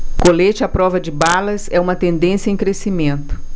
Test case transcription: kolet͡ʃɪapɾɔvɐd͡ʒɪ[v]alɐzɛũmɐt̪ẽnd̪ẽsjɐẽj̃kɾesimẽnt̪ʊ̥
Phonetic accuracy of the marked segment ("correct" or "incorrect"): incorrect